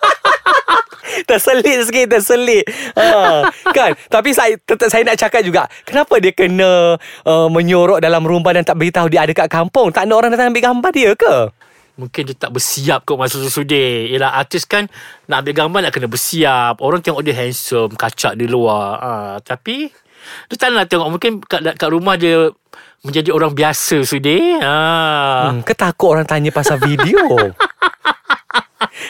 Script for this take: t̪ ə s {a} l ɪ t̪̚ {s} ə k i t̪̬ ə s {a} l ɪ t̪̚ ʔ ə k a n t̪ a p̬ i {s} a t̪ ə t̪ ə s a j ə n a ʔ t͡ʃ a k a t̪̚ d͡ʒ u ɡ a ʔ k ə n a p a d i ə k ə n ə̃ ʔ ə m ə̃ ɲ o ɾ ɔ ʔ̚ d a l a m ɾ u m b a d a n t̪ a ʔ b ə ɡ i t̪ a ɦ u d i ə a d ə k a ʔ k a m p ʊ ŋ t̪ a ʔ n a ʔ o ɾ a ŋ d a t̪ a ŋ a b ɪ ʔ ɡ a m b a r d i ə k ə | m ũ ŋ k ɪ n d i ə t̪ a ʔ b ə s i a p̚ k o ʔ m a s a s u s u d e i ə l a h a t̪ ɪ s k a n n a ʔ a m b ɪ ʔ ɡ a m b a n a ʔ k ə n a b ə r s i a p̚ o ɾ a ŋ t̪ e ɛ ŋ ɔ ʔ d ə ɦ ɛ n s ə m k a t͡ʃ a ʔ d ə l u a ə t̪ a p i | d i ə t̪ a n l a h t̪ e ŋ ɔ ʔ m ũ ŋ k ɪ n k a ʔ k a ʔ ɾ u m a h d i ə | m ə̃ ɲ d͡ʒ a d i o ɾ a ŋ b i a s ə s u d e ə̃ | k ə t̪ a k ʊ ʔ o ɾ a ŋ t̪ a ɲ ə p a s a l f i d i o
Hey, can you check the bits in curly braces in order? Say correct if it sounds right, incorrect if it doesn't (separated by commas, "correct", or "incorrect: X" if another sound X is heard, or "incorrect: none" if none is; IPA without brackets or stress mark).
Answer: incorrect: ə, correct, incorrect: ə, correct